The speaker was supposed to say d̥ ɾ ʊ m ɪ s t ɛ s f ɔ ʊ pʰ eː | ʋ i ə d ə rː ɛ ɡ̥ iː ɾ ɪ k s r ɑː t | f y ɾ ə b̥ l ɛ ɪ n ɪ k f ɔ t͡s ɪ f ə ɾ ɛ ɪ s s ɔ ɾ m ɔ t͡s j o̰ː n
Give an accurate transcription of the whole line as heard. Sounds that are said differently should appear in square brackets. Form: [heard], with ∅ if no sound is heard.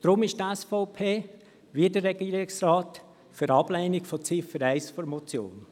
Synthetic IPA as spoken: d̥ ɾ ʊ m ɪ [ʃ] t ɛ s f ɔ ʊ pʰ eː | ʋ i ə d ə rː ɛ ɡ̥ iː ɾ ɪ k s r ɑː t | f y ɾ [ɑ] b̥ l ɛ ɪ n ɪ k f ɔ t͡s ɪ f ə ɾ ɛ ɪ s [f] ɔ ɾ m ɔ t͡s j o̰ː n